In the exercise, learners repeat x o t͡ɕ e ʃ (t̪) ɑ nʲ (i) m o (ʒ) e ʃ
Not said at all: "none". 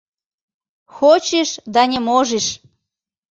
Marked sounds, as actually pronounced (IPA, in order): d̪, e, ʒ

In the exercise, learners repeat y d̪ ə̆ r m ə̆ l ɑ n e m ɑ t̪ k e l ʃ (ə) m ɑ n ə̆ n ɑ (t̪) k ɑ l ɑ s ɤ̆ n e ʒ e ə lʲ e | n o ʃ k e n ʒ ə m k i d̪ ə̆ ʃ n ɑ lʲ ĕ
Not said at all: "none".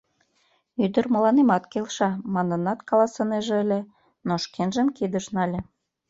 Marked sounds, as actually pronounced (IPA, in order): ɑ, t̪

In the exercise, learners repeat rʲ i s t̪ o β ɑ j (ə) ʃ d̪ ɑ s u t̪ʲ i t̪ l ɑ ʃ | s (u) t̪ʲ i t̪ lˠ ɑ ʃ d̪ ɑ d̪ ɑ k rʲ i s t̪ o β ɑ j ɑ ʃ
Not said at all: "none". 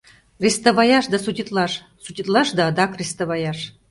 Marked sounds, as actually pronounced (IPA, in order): ɑ, u

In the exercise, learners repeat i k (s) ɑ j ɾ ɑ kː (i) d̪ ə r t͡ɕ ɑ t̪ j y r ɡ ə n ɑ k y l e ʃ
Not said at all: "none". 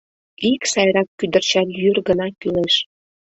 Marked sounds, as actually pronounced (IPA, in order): s, y

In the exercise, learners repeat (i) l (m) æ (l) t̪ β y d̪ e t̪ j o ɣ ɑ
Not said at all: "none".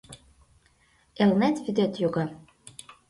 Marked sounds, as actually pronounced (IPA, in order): e, n, none

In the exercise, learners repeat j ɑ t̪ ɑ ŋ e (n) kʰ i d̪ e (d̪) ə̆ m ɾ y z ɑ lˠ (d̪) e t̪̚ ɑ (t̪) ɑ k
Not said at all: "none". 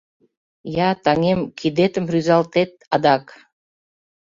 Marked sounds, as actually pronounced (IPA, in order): m, t̪, t̪, d̪

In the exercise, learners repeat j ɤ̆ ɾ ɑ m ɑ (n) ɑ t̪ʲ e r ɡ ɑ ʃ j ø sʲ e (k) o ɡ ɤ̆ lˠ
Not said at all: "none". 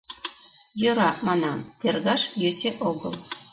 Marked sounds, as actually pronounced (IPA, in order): n, ʔ

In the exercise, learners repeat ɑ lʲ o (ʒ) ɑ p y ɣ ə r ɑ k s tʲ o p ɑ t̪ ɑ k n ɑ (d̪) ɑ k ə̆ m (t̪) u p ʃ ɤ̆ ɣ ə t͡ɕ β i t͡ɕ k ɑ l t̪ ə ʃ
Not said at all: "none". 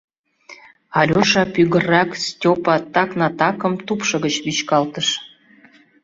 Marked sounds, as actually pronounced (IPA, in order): ʃ, t̪, t̪

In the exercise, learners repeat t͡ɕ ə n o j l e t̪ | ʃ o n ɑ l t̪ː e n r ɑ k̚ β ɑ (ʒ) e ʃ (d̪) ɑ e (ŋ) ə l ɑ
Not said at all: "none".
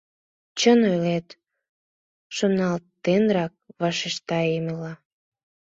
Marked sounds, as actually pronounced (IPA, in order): ʃ, t̪, m

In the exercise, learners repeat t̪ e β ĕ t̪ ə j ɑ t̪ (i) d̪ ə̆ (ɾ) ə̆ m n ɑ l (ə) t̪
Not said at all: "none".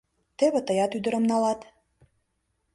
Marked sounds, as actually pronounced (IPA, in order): y, ɾ, ɑ

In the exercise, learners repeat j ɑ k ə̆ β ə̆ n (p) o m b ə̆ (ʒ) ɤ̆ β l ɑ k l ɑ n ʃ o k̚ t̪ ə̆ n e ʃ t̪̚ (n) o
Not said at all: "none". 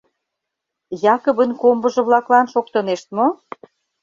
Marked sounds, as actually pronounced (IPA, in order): k, ʒ, m

